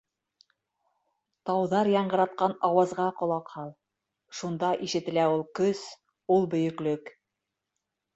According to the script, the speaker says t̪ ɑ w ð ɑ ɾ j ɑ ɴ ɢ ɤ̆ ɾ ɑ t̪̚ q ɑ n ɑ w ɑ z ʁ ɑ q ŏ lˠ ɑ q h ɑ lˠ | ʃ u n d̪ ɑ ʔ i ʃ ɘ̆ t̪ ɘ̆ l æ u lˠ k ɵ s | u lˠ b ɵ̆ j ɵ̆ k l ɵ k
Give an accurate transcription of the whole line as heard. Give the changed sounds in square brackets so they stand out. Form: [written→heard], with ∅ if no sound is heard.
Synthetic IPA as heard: t̪ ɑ w ð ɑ ɾ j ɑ ɴ ɢ ɤ̆ ɾ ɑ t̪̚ q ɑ n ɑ w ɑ z ʁ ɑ q ŏ lˠ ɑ q h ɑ lˠ | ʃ u n d̪ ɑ ʔ i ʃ ɘ̆ t̪ ɘ̆ l æ u lˠ k ɵ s | u lˠ b ɵ̆ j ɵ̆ k l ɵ k